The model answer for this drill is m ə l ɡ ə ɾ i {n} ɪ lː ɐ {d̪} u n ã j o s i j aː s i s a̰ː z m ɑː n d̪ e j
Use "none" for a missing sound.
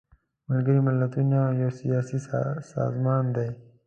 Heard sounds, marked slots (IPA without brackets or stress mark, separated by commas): m, t̪